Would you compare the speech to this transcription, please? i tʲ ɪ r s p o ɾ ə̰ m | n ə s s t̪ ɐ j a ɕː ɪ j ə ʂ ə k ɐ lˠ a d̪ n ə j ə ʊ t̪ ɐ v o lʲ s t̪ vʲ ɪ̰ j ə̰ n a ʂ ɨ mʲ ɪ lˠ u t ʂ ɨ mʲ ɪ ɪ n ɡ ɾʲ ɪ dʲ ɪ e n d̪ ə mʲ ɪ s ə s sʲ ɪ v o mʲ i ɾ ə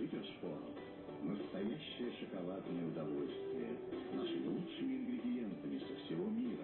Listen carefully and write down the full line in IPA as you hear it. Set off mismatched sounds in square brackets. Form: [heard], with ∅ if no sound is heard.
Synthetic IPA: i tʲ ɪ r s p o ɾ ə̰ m | n ə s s t̪ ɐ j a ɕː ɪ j ə ʂ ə k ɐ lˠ a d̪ n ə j ə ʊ [d̪] ɐ v o lʲ s t̪ vʲ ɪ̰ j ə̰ n a ʂ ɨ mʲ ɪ lˠ u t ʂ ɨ mʲ ɪ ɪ n ɡ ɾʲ ɪ dʲ ɪ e n [t̪] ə mʲ ɪ s ə [f] sʲ ɪ v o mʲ i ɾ ə